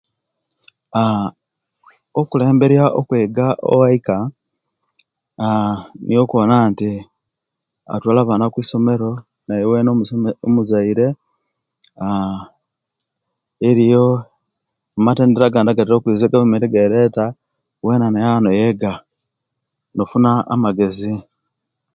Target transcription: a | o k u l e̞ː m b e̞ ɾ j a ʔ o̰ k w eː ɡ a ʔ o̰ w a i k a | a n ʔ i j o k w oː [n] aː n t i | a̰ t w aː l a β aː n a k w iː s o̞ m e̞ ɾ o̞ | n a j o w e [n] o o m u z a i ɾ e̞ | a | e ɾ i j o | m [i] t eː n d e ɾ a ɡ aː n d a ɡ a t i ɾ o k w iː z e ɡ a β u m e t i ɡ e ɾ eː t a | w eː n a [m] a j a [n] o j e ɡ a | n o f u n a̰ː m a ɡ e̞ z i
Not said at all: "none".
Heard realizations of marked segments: n, n, a, n, n

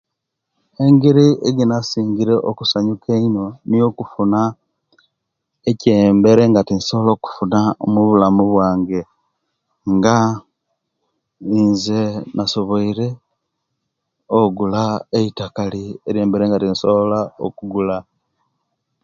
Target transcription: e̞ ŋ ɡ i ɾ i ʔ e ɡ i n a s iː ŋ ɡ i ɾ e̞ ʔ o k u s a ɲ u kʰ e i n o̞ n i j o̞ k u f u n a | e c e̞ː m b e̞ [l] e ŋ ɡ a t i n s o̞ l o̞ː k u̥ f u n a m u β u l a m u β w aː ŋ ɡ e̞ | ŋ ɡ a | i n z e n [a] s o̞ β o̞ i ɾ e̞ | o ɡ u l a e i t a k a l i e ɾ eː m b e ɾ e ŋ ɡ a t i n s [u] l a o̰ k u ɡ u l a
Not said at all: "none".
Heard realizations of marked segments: ɾ, a, o

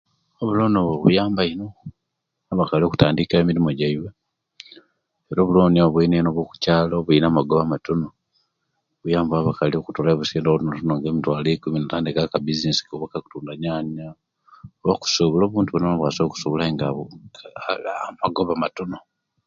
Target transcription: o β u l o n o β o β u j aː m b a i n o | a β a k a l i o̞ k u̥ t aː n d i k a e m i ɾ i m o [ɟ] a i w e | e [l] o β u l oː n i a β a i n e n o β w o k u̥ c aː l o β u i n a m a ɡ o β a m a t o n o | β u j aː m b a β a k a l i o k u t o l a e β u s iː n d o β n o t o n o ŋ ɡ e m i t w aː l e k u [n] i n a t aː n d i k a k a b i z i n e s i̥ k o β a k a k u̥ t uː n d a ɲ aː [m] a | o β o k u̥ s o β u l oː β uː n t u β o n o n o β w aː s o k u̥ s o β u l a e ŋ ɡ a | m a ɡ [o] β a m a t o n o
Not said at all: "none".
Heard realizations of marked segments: ɟ, ɾ, m, ɲ, o

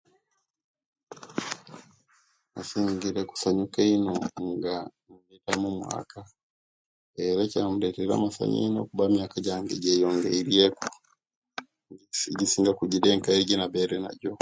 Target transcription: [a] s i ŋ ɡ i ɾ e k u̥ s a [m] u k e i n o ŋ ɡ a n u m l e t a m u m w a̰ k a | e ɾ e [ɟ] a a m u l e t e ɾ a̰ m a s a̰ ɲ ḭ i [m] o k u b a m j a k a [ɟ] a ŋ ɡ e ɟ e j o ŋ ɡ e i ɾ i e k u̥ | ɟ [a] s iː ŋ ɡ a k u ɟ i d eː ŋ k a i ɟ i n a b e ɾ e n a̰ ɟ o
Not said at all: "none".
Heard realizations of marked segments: a, ɲ, c, n, ɟ, i

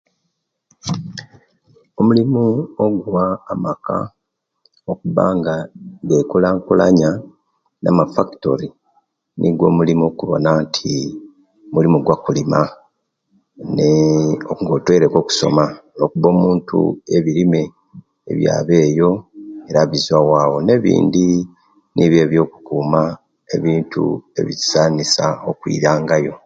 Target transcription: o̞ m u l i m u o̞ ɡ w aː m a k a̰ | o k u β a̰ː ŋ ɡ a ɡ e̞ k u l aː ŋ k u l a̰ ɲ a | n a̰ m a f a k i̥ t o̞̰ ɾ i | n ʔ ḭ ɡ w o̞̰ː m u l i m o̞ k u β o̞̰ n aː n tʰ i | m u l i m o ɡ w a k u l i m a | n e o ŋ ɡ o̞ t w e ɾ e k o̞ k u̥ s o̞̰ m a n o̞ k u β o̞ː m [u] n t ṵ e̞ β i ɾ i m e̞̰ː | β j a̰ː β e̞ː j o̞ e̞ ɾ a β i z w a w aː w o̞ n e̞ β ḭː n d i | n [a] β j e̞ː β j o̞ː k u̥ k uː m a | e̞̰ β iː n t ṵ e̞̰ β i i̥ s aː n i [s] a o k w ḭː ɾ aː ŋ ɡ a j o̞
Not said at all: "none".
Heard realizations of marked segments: uː, i, s

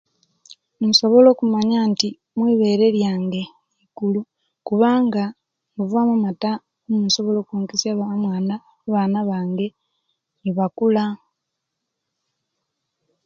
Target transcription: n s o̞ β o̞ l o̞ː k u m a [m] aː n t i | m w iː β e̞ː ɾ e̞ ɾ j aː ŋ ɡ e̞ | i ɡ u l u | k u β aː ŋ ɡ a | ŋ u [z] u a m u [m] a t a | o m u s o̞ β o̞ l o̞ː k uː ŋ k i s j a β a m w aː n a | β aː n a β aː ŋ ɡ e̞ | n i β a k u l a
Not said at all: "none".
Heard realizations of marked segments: ɲ, v, m

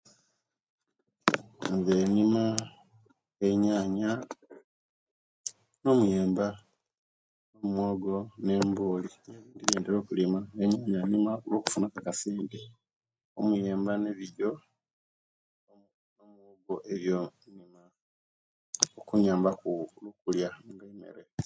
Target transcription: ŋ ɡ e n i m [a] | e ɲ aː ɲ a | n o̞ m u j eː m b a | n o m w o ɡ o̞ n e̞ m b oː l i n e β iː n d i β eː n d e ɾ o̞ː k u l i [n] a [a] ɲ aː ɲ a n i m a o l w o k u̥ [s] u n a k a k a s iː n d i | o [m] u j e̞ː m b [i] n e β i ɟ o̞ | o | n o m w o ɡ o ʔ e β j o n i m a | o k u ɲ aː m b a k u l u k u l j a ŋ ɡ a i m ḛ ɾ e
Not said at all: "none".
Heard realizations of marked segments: a, m, e, f, m, a

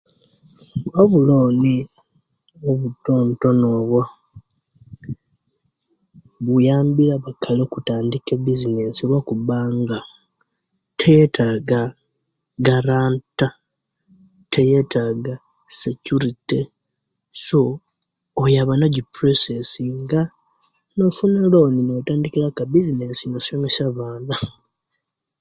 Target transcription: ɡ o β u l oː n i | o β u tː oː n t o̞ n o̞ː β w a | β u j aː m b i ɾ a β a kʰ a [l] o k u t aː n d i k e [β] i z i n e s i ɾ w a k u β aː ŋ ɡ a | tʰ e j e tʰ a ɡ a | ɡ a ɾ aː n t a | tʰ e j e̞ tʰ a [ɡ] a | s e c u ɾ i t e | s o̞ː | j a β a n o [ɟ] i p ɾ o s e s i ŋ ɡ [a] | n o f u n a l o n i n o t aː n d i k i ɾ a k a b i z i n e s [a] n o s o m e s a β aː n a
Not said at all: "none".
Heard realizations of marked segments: l, b, ɡ, ɟ, a, i

